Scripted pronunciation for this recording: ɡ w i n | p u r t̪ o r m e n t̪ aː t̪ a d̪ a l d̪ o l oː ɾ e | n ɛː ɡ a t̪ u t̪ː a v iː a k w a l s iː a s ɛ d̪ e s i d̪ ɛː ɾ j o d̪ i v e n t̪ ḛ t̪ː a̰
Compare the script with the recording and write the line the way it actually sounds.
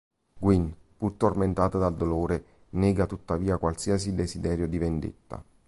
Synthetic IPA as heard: ɡ w i n | p u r t̪ o r m e n t̪ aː t̪ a d̪ a l d̪ o l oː ɾ e | n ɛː ɡ a t̪ u t̪ː a v iː a k w a l s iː a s i d̪ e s i d̪ ɛː ɾ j o d̪ i v e n d̪ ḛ t̪ː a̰